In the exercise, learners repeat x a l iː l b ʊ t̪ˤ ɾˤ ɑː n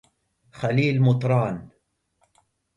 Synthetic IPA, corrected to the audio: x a l iː l m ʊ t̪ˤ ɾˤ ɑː n